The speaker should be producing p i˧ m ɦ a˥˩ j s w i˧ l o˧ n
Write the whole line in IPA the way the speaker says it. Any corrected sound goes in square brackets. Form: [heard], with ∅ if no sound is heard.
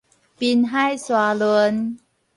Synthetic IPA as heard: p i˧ [n] ɦ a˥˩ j s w [a˧] l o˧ n

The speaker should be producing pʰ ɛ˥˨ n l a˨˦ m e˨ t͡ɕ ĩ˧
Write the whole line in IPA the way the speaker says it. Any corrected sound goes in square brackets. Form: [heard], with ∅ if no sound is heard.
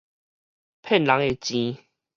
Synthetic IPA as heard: pʰ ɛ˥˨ n l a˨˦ [ŋ] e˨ t͡ɕ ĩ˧

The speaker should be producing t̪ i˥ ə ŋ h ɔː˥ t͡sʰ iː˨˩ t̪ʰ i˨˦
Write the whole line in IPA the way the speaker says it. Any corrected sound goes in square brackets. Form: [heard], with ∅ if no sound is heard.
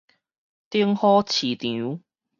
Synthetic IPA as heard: t̪ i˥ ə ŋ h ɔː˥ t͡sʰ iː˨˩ [t̪] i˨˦

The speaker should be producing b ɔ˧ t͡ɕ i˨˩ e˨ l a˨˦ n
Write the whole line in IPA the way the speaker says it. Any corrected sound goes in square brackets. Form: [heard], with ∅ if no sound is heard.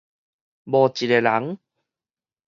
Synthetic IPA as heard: b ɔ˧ t͡ɕ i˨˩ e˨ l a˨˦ [ŋ]

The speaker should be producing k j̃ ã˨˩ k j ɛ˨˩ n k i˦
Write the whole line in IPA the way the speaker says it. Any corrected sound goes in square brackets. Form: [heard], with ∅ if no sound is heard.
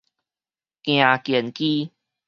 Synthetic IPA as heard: k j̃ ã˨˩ k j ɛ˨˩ n k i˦

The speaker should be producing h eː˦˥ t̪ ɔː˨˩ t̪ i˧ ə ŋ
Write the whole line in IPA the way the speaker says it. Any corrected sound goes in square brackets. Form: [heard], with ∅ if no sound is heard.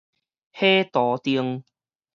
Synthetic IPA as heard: h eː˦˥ t̪ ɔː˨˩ t̪ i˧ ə ŋ

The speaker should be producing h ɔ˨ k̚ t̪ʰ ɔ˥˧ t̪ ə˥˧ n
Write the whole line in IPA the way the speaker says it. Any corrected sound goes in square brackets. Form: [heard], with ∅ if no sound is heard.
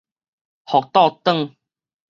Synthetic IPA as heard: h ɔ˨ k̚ [t̪] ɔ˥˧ t̪ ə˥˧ [ŋ]

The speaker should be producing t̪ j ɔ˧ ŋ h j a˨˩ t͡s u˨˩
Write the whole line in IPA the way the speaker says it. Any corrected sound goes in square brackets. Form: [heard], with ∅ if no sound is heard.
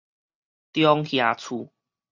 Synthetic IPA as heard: t̪ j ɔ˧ ŋ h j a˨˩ [t͡sʰ] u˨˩

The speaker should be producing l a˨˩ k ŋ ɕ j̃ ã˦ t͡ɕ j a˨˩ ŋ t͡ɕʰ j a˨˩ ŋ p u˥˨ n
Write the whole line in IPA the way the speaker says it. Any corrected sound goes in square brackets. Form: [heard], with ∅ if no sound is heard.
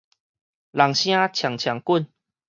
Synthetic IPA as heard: l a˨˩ [∅] ŋ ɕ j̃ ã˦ [t͡ɕʰ] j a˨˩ ŋ t͡ɕʰ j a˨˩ ŋ [k] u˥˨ n

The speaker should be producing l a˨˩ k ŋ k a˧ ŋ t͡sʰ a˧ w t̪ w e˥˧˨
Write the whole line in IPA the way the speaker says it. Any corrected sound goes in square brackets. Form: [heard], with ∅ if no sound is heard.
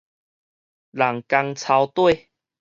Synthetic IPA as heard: l a˨˩ [∅] ŋ k a˧ ŋ t͡sʰ a˧ w t̪ w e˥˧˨

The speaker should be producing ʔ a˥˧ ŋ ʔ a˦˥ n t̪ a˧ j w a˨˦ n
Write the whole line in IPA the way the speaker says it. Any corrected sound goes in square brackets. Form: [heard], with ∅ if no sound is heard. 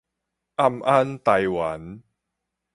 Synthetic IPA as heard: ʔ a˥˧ [m] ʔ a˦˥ n t̪ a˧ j w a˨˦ n

